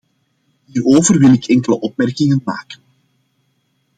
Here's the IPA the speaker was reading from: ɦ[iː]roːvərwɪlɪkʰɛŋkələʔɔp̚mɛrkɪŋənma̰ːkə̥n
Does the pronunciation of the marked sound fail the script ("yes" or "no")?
no